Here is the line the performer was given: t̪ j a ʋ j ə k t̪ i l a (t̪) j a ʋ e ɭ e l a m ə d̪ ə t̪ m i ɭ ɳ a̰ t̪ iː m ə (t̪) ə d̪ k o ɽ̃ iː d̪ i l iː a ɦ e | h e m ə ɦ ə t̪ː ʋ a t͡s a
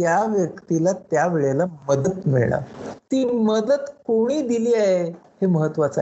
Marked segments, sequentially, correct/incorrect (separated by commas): correct, incorrect